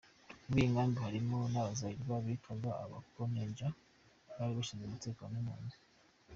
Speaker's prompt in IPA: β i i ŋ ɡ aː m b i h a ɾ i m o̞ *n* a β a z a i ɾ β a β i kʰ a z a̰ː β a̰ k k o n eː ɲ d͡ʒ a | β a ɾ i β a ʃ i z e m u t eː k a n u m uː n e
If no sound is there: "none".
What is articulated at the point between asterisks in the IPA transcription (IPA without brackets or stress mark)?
n